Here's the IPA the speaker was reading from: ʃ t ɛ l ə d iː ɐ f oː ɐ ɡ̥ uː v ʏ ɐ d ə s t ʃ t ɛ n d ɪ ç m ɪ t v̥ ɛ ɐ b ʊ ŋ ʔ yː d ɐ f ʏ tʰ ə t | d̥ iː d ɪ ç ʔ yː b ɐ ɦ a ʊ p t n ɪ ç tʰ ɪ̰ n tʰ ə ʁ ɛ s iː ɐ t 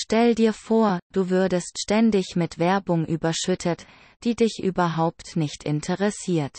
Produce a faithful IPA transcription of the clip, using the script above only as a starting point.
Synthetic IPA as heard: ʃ t ɛ l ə d iː ɐ f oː ɐ d̥ uː v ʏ ɐ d ə s t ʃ t ɛ n d ɪ ç m ɪ t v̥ ɛ ɐ b ʊ ŋ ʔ yː b ɐ ʃ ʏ tʰ ə t | d̥ iː d ɪ ç ʔ yː b ɐ ɦ a ʊ p t n ɪ ç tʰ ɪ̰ n tʰ ə ʁ ɛ s iː ɐ t